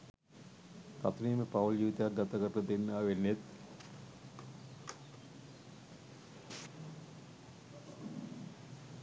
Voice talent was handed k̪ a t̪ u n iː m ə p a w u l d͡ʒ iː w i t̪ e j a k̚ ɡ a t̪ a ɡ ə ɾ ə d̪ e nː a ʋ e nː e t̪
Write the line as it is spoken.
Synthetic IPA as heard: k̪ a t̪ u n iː m ə p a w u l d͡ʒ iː ʋ i t̪ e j a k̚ ɡ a t̪ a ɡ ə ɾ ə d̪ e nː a ʋ e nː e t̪